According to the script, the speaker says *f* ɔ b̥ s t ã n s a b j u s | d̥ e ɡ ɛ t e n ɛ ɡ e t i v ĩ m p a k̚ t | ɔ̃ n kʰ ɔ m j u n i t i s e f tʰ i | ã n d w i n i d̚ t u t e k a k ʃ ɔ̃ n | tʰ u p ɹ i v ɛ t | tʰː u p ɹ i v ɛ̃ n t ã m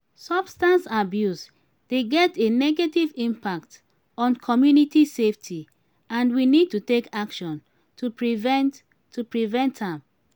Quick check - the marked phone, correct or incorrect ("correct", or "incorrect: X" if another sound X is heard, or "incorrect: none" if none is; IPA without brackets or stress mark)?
incorrect: s